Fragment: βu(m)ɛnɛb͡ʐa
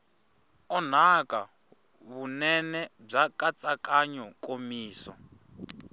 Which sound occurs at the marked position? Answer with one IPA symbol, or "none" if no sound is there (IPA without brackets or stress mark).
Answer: n